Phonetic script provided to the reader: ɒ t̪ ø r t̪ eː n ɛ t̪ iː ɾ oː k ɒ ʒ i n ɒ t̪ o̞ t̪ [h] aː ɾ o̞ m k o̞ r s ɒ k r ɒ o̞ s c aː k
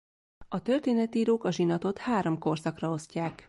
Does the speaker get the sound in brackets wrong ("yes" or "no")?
no